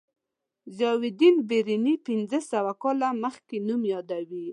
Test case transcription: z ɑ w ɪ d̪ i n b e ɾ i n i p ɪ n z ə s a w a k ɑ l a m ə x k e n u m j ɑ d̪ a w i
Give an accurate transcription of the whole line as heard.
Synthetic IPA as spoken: z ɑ w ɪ d̪ i n b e ɾ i n i p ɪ n z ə s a w a k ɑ l a m ə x k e n u m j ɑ d̪ a w i